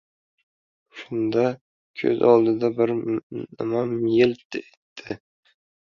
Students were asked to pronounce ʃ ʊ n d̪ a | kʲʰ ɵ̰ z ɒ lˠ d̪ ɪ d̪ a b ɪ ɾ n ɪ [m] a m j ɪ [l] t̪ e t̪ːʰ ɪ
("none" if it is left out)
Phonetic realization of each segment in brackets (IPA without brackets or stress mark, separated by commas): m, l